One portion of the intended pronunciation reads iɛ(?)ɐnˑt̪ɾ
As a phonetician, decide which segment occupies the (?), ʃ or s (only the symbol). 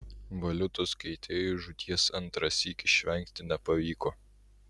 s